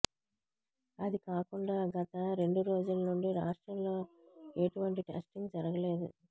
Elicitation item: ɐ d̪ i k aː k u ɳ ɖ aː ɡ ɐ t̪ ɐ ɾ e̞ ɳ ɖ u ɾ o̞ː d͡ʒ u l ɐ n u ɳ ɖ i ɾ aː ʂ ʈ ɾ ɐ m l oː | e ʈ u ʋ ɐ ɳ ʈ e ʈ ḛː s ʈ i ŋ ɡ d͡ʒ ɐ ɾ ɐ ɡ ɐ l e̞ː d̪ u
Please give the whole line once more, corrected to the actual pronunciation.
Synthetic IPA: ɐ d̪ i k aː k u ɳ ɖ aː ɡ ɐ t̪ ɐ ɾ e̞ ɳ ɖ u ɾ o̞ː d͡ʒ u l ɐ n u ɳ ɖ i ɾ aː ʂ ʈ ɾ ɐ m l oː | e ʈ u ʋ ɐ ɳ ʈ i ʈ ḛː s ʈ i ŋ ɡ d͡ʒ ɐ ɾ ɐ ɡ ɐ l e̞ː d̪ u

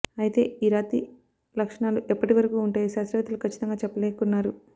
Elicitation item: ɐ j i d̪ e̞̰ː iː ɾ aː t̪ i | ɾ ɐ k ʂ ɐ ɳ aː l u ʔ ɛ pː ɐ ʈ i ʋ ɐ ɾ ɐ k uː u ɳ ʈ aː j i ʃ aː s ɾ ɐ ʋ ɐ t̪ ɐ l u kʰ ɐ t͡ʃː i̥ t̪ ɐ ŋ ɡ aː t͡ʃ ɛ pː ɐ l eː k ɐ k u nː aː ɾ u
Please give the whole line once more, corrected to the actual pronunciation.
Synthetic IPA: ɐ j i t̪ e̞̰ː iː ɾ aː t̪ i | l ɐ k ʂ ɐ ɳ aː l u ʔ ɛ pː ɐ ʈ i ʋ ɐ ɾ ɐ k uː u ɳ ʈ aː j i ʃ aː s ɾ ɐ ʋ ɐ t̪ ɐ l u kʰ ɐ t͡ʃː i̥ t̪ ɐ ŋ ɡ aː t͡ʃ ɛ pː ɐ l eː k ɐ k u nː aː ɾ u

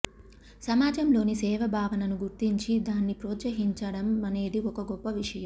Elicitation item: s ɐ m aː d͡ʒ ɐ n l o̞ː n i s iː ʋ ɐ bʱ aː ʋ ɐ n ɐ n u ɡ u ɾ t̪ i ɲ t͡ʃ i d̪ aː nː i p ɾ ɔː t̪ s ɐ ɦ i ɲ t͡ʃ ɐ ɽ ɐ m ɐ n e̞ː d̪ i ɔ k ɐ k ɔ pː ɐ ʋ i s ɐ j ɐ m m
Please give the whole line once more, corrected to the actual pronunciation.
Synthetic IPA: s ɐ m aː d͡ʒ ɐ m l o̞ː n i s ɛː ʋ ɐ bʱ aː ʋ ɐ n ɐ n u ɡ u ɾ t̪ i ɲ t͡ʃ i d̪ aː nː i p ɾ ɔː t̪ s ɐ ɦ i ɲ t͡ʃ ɐ ɽ ɐ m ɐ n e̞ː d̪ i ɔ k ɐ ɡ ɔ pː ɐ ʋ i ʂ ɐ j ɐ m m

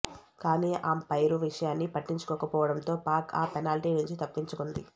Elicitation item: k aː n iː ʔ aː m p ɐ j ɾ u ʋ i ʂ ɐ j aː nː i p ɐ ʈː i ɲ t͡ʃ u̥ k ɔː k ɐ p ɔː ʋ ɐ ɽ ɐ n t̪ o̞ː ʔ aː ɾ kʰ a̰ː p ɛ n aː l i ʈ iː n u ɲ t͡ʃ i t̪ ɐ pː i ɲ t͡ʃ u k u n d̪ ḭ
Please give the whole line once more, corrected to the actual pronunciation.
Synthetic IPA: k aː n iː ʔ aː m p ɐ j ɾ u ʋ i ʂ ɐ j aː nː i p ɐ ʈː i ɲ t͡ʃ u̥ k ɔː k ɐ p ɔː ʋ ɐ ɽ ɐ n t̪ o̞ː p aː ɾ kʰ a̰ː p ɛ n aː l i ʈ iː n u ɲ t͡ʃ i t̪ ɐ pː i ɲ t͡ʃ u k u n d̪ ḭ

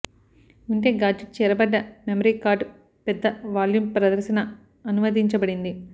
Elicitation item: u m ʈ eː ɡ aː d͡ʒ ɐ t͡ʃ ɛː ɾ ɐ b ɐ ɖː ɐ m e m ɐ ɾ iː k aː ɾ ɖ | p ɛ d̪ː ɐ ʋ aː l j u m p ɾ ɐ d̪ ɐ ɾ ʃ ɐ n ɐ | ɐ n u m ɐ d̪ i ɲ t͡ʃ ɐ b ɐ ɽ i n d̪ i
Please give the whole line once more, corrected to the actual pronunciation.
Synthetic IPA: u ɳ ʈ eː ɡ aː d͡ʒ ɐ t͡ʃ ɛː ɾ ɐ b ɐ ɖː ɐ m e m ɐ ɾ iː k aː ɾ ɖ | p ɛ d̪ː ɐ ʋ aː l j u m p ɾ ɐ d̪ ɐ ɾ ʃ ɐ n ɐ | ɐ n u m ɐ d̪ i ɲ t͡ʃ ɐ b ɐ ɽ i n d̪ i

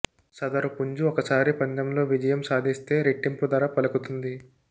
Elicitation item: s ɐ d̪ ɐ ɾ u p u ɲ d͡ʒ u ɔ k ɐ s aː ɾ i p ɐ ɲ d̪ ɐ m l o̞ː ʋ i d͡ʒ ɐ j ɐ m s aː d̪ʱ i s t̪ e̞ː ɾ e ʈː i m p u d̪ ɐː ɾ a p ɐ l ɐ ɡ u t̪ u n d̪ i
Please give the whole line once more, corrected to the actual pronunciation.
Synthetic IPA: s ɐ d̪ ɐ ɾ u p u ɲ d͡ʒ u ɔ k ɐ s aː ɾ i p ɐ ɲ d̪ ɐ m l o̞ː ʋ i d͡ʒ ɐ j ɐ m s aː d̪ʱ i s t̪ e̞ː ɾ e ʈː i m p u d̪ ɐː ɾ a p ɐ l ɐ k u t̪ u n d̪ i

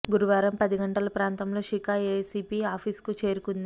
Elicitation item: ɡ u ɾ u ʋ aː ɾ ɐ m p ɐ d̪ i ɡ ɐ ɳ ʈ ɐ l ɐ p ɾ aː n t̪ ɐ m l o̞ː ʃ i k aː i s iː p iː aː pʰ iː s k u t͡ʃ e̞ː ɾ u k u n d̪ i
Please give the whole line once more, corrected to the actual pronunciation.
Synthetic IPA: ɡ u ɾ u ʋ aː ɾ ɐ m p ɐ d̪ i ɡ ɐ ɳ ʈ ɐ l ɐ p ɾ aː n t̪ ɐ m l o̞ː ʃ i k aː e s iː p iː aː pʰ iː s k u t͡ʃ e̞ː ɾ u k u n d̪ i

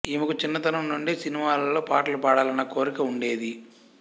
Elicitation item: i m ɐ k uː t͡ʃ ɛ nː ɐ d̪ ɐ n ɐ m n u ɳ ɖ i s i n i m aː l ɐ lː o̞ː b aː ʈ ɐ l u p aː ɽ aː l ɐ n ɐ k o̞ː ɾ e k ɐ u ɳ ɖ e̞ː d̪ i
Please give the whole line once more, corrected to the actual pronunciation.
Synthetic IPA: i m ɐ k u t͡ʃ i nː ɐ t̪ ɐ n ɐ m n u ɳ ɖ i s i n i m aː l ɐ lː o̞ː p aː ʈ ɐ l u p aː ɽ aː l ɐ n ɐ k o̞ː ɾ i k ɐ u ɳ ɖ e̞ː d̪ i

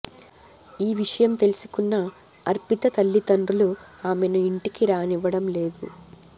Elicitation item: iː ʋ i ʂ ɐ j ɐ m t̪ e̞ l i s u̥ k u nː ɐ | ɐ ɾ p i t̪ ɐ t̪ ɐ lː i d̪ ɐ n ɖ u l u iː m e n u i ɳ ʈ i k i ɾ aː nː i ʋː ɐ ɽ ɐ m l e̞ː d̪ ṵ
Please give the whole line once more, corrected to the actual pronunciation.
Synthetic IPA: iː ʋ i ʂ ɐ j ɐ m t̪ e̞ l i s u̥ k u nː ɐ | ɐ ɾ p i t̪ ɐ t̪ ɐ lː i t̪ ɐ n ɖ u l u aː m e n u i ɳ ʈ i k i ɾ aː n i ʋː ɐ ɽ ɐ m l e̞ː d̪ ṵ

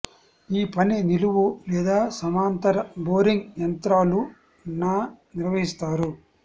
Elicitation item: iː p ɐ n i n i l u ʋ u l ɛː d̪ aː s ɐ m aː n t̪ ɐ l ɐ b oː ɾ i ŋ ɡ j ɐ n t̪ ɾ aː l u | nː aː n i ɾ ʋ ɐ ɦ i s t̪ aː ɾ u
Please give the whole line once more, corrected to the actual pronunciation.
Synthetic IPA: iː p ɐ n i n i l u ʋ u l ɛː d̪ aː s ɐ m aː n t̪ ɐ ɾ ɐ b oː ɾ i ŋ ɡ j ɐ n t̪ ɾ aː l u | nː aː n i ɾ ʋ ɐ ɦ i s t̪ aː ɾ u

